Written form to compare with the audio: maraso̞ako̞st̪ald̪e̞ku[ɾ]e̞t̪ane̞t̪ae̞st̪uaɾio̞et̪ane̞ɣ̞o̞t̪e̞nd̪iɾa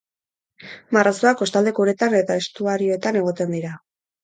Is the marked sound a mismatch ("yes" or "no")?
no